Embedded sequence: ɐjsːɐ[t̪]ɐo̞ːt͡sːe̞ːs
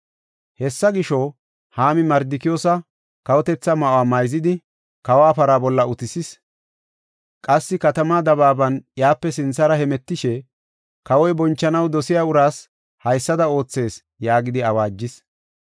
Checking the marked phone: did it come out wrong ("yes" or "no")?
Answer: yes